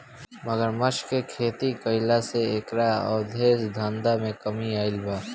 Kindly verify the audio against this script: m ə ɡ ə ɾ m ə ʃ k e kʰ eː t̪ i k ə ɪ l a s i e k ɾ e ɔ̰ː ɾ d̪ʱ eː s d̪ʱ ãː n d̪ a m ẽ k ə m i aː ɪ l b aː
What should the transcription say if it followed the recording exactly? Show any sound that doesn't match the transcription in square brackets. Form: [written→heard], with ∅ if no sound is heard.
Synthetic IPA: m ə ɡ ə ɾ m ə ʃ k e kʰ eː t̪ i k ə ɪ l a s [i→e] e k ɾ [e→a] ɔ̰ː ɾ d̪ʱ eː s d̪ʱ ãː n d̪ a m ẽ k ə m i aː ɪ l b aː